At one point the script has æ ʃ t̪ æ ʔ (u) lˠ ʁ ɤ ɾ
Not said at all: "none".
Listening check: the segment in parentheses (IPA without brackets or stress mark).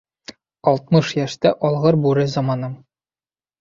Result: ɒ